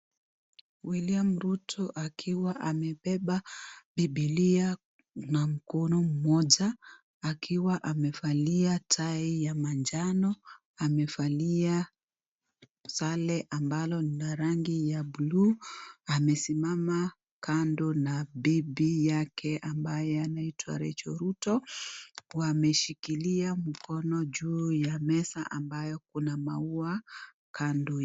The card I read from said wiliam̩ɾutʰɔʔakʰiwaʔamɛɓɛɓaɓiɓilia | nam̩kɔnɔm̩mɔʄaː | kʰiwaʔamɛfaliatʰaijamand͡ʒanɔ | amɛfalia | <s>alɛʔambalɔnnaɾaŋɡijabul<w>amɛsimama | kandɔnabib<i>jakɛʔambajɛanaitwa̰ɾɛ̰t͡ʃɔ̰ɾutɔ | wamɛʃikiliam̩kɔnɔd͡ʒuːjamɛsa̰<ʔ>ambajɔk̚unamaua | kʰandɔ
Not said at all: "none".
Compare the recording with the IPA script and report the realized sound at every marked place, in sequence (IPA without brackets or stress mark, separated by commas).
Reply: s, u, i, ʔ